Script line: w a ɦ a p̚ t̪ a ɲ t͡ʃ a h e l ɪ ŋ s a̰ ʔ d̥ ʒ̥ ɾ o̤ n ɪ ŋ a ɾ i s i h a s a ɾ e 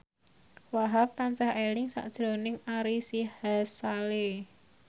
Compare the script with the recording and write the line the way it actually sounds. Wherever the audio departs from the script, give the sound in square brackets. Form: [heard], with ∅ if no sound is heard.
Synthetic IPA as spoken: w a ɦ a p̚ t̪ a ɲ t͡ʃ a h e l ɪ ŋ s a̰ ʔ d̥ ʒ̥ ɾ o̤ n ɪ ŋ a ɾ i s i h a s a [l] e